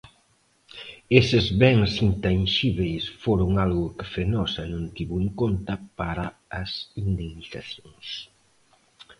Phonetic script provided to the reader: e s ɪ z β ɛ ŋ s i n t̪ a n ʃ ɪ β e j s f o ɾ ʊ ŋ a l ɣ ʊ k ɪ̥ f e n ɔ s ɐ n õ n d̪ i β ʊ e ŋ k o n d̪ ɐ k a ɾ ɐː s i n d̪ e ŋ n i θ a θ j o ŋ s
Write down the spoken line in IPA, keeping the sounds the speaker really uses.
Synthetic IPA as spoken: e s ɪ z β ɛ ŋ s i n t̪ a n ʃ i β e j s f o ɾ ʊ ŋ a l ɣ ʊ k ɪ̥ f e n ɔ s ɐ n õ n t̪ i β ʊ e ŋ k o n t̪ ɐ p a ɾ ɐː s i n d̪ e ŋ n i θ a θ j o ŋ s